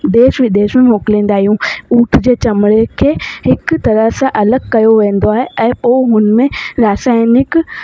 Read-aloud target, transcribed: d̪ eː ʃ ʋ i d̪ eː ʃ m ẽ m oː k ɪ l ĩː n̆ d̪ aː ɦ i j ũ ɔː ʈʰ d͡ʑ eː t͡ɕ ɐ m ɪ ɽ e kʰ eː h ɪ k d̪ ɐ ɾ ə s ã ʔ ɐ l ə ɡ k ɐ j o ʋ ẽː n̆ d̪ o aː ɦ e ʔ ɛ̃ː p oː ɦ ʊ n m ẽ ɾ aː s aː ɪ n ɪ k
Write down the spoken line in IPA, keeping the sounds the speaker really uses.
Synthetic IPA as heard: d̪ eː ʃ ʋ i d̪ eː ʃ m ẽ m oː k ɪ l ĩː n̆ d̪ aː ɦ i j ũ uː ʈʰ d͡ʑ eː t͡ɕ ɐ m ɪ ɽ e kʰ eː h ɪ k t̪ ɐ ɾ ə s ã ʔ ɐ l ə ɡ k ɐ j o ʋ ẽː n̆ d̪ o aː ɦ e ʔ ɛ̃ː p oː ɦ ʊ n m ẽ ɾ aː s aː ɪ n ɪ k